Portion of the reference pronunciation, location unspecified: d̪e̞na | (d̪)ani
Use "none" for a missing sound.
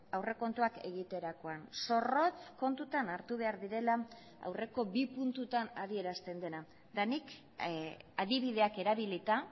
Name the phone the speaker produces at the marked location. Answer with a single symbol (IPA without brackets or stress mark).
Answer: d̪